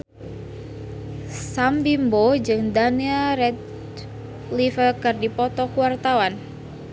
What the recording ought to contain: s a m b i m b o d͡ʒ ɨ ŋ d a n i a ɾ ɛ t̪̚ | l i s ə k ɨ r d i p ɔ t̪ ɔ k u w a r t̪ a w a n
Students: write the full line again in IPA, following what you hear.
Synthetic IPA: s a m b i m b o d͡ʒ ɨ ŋ d a n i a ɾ ɛ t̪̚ | l i f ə k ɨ r d i p ɔ t̪ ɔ k u w a r t̪ a w a n